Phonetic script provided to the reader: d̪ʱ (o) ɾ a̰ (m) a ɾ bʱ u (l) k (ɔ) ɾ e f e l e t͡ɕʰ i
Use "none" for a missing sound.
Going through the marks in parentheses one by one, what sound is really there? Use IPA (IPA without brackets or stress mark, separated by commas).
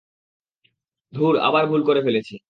u, b, l, o